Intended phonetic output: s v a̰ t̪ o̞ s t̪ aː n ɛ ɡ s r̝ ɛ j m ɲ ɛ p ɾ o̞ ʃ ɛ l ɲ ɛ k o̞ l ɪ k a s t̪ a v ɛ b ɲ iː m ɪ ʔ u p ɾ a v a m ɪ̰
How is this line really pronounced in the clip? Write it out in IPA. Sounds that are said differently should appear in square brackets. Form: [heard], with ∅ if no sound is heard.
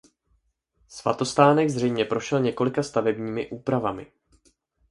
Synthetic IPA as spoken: s v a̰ t̪ o̞ s t̪ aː n ɛ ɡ [z] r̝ ɛ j m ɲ ɛ p ɾ o̞ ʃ ɛ l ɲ ɛ k o̞ l ɪ k a s t̪ a v ɛ b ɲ iː m ɪ ʔ [uː] p ɾ a v a m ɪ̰